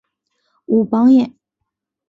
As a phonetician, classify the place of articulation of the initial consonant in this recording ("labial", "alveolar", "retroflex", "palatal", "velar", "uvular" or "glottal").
labial